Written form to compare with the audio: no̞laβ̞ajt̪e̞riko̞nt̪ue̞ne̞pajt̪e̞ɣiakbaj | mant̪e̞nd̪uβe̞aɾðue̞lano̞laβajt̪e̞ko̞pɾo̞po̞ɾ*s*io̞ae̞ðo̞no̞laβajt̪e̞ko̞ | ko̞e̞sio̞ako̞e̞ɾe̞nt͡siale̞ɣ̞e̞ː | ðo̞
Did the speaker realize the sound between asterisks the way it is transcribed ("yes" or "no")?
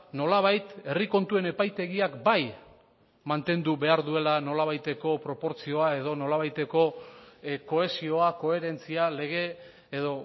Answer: no